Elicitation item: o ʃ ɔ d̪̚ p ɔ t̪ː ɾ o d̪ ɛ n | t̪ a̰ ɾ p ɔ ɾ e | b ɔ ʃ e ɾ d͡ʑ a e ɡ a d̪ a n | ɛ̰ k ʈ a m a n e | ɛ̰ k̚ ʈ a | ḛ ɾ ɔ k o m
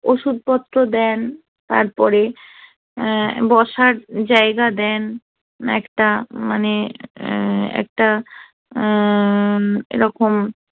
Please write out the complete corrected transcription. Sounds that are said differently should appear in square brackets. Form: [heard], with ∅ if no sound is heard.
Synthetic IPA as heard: o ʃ [u] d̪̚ p ɔ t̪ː ɾ o d̪ ɛ n | t̪ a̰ ɾ p ɔ ɾ e | b ɔ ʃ [a] ɾ d͡ʑ a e ɡ a d̪ [ɛ] n | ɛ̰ k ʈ a m a n e | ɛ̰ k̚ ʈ a | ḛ ɾ ɔ k o m